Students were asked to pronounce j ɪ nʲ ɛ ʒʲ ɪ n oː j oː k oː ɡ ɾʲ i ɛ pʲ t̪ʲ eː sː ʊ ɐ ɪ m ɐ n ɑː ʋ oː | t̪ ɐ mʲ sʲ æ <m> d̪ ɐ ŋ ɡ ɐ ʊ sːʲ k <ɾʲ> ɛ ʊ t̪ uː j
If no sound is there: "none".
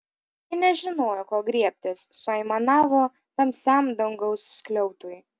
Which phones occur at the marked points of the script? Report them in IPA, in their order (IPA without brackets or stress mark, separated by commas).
m, lʲ